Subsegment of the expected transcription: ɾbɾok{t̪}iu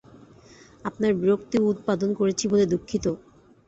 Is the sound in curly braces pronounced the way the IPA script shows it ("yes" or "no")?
yes